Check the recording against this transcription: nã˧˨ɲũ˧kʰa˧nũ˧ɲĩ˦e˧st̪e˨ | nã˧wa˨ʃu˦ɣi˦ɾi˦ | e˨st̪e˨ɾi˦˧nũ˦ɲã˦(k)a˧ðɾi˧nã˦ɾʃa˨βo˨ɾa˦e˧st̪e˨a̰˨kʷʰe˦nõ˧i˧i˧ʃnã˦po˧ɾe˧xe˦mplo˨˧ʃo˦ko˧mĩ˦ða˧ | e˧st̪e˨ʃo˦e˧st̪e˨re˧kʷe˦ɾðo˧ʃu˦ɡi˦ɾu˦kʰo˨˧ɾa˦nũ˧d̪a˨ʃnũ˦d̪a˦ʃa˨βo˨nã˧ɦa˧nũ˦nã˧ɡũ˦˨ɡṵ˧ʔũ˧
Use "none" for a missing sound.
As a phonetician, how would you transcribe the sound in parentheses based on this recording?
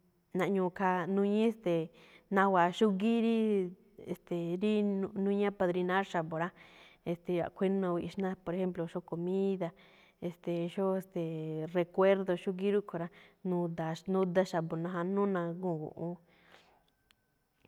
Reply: p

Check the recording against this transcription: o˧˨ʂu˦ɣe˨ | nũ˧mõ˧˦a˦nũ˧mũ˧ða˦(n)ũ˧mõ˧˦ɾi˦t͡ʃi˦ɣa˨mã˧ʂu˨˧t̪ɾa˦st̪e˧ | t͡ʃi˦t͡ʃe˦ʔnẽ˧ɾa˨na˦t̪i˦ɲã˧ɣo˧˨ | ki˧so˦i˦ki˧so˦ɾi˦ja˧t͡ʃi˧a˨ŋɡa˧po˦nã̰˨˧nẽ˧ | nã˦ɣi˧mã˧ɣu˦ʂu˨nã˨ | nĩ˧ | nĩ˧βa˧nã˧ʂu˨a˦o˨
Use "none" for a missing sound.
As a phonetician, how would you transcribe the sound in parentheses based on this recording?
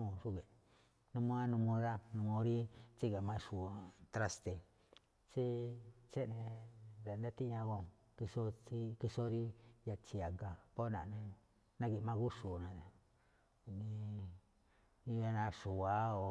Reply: n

